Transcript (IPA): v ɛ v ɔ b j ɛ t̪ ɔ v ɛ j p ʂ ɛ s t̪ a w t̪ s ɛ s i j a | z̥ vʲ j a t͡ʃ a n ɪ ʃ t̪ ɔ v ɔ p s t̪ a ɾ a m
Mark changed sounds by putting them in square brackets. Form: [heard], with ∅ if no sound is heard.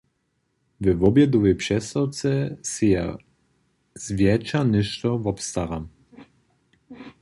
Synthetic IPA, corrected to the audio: v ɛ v ɔ b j ɛ [d̪] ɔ v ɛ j p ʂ ɛ s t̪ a w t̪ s ɛ s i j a | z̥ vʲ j [ɛ] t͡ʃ a n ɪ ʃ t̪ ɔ v ɔ p s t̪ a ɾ a m